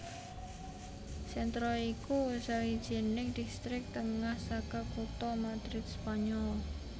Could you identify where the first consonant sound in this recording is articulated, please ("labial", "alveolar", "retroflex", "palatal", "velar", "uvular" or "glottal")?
alveolar